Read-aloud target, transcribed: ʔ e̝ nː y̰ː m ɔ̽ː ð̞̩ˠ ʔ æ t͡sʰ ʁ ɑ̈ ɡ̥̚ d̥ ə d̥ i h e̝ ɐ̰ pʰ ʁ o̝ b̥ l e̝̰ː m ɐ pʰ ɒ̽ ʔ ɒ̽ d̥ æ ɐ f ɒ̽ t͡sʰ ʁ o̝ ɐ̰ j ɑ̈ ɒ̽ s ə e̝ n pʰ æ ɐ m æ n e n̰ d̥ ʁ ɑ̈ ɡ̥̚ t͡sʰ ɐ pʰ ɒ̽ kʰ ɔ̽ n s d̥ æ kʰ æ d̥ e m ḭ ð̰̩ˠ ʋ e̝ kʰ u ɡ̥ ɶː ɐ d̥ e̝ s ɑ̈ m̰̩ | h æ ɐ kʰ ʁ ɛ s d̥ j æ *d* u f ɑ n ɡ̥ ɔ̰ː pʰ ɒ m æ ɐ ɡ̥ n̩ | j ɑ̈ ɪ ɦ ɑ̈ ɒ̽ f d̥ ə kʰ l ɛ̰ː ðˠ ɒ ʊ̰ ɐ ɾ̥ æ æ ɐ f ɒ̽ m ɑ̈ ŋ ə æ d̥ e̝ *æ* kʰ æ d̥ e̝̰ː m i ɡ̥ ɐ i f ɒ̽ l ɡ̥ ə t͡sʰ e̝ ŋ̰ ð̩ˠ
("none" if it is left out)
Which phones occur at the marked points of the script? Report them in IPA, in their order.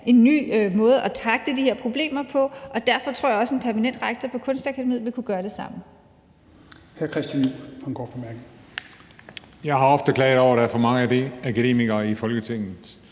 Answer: n, æ

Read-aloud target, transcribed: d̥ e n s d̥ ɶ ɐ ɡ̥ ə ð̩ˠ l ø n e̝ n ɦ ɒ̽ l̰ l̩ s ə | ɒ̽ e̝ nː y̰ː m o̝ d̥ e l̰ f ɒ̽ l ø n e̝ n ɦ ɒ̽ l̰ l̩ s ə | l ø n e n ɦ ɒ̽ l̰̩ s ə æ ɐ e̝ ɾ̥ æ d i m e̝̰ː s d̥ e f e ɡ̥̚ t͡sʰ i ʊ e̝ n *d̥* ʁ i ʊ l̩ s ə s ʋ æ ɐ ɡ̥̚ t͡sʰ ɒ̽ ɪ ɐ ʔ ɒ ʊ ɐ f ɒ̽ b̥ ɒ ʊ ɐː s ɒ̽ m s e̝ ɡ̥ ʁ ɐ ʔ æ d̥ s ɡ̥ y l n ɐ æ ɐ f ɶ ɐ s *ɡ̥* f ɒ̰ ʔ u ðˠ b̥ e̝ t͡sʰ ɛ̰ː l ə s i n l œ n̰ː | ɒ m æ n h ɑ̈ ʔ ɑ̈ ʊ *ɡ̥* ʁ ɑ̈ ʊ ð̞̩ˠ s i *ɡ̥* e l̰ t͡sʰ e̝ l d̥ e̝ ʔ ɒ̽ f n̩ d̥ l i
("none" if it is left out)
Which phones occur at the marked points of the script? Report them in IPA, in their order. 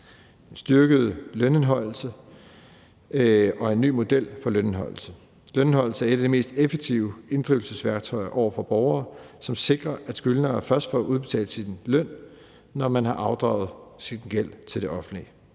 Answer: d̥, d̥, d̥, ɡ̥

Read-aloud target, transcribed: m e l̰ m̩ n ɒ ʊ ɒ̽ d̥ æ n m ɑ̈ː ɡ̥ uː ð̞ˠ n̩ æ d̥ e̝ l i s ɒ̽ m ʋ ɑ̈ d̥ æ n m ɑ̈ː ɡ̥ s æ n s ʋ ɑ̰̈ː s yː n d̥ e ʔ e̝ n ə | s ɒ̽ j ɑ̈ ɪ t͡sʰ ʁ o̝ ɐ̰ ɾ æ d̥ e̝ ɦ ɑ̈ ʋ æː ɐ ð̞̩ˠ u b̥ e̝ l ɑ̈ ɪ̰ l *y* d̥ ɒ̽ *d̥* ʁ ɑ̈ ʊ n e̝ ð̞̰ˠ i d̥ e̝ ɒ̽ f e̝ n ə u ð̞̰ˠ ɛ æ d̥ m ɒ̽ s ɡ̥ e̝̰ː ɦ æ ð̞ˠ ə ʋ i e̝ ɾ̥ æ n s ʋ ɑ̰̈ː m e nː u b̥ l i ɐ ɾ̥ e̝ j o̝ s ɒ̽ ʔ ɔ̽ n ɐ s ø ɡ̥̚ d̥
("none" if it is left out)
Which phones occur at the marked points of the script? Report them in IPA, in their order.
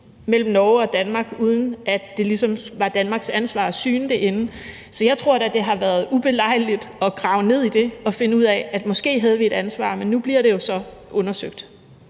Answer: i, ɡ̥

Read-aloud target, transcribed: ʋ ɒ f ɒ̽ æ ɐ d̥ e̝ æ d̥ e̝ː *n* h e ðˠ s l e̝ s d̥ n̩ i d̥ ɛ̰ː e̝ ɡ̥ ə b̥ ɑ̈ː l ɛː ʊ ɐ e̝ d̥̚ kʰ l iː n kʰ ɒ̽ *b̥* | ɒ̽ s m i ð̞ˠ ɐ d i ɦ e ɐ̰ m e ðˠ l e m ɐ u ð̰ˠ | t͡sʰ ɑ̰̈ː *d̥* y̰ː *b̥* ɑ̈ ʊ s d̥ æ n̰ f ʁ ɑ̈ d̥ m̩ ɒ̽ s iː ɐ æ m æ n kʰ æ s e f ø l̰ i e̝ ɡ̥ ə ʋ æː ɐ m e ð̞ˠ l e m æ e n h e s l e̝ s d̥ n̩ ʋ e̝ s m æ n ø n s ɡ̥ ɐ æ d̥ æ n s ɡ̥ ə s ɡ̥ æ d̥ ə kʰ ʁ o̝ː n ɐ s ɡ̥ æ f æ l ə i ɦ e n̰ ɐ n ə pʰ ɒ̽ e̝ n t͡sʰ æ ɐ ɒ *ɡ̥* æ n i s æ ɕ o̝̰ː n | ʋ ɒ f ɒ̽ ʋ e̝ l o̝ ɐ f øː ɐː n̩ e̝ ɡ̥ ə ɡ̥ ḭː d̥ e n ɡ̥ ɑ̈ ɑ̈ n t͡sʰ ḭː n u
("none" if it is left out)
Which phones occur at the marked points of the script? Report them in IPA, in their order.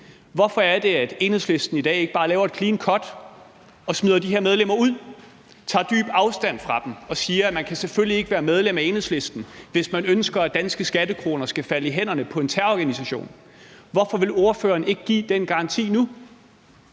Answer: n, d̥, d̥, b̥, ɡ̥

